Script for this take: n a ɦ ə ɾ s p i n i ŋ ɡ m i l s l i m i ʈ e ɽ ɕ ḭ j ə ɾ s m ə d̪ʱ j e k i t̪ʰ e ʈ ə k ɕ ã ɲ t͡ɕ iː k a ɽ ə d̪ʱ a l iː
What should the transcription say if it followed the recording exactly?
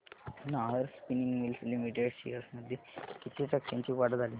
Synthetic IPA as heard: n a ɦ ə ɾ s p i n i ŋ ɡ m i l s l i m i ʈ e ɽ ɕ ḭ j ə ɾ s m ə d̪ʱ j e k i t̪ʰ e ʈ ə k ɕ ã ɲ t͡ɕ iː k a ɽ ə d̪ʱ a l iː